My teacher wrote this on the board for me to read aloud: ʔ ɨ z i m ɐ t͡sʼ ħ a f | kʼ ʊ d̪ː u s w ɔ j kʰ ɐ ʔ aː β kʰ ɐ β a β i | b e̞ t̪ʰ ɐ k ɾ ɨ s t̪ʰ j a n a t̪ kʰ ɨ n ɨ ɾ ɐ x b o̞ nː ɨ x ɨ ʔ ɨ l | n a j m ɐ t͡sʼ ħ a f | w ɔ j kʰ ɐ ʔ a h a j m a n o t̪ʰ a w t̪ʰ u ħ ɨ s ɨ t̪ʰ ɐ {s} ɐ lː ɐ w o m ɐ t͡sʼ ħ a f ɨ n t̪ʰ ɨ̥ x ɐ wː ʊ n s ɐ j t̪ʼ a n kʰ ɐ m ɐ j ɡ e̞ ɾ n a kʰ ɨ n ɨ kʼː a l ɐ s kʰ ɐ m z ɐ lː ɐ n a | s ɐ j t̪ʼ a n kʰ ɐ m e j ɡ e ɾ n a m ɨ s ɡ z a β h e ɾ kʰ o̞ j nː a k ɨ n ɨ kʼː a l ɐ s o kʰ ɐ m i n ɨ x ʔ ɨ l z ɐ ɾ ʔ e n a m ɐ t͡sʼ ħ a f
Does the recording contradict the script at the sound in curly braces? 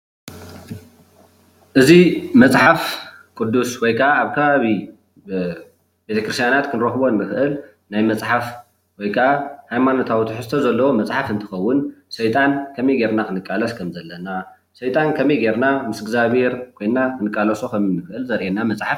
yes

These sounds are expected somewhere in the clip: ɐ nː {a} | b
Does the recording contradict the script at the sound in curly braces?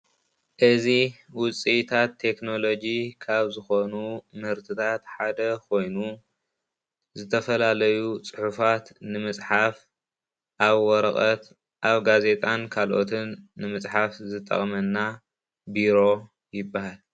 no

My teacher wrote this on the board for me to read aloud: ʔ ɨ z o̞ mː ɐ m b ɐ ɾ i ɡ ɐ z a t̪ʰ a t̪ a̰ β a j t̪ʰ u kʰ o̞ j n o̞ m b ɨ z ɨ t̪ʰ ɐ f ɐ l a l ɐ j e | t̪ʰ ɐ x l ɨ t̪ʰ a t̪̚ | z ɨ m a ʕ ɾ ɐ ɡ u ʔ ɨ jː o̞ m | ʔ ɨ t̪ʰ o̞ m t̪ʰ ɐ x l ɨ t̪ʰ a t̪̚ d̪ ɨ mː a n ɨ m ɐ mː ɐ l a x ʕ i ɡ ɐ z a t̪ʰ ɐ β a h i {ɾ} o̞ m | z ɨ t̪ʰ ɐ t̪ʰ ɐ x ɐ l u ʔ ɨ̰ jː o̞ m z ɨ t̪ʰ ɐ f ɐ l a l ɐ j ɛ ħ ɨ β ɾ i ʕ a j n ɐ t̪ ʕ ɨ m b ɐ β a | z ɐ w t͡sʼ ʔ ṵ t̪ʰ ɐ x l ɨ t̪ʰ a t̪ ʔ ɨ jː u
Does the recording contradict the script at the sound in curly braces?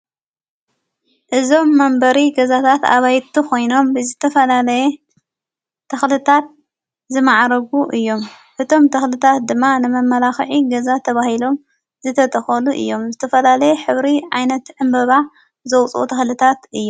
yes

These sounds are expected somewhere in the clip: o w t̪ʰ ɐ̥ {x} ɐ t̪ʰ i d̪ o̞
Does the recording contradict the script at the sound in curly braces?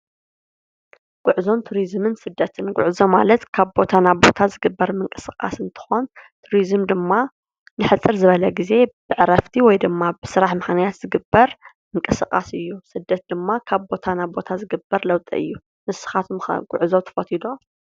yes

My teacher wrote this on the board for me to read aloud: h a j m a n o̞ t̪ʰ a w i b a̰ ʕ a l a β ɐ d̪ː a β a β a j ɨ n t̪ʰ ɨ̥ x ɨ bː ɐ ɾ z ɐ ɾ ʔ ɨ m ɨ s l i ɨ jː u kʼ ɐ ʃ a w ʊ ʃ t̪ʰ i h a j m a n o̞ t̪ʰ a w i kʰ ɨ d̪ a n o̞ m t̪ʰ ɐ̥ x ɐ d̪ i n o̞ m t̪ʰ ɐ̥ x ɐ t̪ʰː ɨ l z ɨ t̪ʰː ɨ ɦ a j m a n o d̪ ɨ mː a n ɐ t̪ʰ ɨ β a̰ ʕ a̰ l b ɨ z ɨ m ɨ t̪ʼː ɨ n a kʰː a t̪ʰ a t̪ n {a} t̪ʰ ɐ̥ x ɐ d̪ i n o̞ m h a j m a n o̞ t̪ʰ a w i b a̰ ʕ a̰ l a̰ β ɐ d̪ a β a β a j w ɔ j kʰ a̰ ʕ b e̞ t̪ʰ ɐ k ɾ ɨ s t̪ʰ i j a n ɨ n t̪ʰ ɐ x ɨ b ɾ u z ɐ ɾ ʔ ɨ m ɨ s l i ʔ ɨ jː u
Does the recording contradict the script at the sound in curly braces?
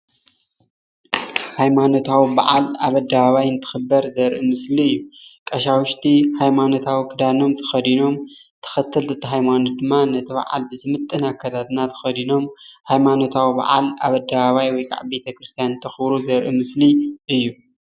no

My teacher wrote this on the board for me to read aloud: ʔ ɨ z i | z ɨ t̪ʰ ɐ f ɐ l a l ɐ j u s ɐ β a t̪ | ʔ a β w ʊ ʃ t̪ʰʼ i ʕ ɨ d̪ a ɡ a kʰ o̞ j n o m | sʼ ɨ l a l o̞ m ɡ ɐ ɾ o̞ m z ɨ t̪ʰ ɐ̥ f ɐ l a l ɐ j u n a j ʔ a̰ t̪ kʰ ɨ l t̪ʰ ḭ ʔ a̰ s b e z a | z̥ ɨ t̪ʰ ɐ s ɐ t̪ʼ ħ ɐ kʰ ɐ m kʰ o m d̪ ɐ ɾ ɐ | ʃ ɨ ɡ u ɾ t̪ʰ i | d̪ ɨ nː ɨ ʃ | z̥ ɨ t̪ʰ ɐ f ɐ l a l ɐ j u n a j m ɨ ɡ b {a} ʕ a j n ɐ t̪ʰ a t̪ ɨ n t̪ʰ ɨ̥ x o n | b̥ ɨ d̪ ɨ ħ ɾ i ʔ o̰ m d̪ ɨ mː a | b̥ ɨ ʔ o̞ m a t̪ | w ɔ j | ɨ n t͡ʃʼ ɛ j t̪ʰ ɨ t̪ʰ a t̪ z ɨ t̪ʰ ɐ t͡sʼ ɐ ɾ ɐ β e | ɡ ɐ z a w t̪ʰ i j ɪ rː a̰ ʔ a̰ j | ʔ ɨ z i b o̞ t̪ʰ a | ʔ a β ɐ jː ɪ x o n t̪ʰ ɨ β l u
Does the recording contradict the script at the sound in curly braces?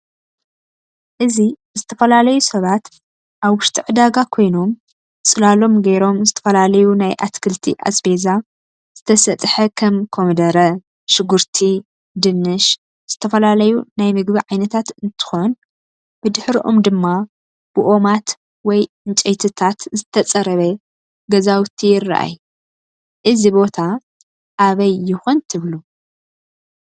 yes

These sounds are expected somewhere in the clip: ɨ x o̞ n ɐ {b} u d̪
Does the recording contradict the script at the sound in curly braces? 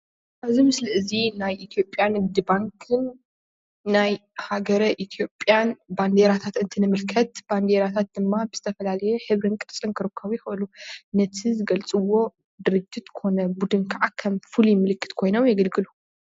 no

